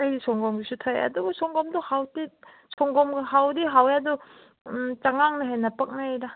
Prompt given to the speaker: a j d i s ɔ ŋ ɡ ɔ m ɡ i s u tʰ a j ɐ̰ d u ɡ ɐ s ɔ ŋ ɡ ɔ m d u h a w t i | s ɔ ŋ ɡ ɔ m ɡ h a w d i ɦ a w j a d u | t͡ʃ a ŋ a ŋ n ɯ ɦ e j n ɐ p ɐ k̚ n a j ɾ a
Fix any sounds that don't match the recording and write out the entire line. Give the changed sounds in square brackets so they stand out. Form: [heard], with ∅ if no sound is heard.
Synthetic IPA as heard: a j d i s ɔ ŋ ɡ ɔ m ɡ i s u tʰ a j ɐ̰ d u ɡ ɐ s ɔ ŋ ɡ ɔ m d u h a w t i | s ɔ ŋ ɡ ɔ m ɡ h a w d i ɦ a w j a d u | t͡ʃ a ŋ a ŋ n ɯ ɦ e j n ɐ p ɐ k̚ n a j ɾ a